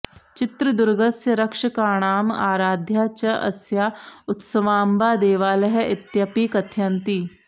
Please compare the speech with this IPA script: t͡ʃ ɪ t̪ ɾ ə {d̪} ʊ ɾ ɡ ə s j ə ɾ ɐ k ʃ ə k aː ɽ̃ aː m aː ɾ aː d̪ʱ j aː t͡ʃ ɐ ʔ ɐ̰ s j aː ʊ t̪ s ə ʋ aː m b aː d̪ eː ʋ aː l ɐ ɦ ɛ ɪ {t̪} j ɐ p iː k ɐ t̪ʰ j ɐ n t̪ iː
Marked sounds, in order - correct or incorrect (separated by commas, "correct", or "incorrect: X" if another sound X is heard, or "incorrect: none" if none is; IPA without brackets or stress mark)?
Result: correct, correct